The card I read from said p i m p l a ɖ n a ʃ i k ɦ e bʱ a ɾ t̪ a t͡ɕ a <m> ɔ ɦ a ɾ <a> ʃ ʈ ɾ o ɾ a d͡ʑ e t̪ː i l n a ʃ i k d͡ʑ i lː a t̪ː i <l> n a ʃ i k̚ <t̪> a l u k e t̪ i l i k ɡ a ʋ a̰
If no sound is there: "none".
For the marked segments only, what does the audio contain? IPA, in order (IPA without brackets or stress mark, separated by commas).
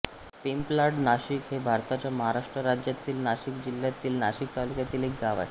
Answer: m, a, l, t̪